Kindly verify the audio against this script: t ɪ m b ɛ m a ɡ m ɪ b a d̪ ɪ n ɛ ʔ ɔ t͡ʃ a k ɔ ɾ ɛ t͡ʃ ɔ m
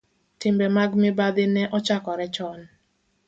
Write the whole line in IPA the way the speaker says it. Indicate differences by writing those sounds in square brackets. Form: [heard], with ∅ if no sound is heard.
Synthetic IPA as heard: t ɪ m b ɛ m a ɡ m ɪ b a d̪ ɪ n ɛ ʔ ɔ t͡ʃ a k ɔ ɾ ɛ t͡ʃ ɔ [n]